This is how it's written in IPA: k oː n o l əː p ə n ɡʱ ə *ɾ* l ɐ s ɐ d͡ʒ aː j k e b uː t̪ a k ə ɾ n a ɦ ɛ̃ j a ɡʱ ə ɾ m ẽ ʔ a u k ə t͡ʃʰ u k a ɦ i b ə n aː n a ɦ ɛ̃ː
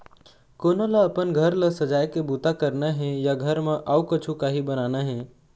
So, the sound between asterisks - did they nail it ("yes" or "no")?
yes